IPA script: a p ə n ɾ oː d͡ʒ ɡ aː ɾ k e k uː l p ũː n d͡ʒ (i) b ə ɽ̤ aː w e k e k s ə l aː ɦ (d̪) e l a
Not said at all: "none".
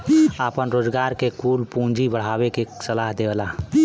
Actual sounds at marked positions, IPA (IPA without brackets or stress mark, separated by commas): i, d̪